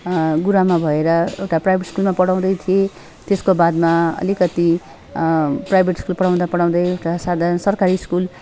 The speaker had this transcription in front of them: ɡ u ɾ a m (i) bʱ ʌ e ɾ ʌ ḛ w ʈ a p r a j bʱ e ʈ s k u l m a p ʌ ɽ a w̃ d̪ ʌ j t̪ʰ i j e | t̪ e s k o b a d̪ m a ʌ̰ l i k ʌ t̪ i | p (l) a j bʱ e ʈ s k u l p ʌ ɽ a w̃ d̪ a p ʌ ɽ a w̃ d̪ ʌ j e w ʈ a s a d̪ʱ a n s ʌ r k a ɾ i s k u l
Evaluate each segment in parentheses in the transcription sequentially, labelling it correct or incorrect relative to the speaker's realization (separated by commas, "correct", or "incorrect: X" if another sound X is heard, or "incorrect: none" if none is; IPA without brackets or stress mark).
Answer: incorrect: a, incorrect: r